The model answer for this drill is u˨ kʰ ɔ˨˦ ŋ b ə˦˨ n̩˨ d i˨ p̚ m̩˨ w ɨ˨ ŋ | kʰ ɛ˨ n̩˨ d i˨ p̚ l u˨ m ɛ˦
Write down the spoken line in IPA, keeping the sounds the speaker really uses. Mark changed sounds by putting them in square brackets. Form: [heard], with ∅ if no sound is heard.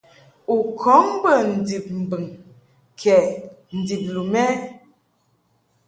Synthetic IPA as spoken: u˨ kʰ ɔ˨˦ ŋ b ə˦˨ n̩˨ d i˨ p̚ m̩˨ [b] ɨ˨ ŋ | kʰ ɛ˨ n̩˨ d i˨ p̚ l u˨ m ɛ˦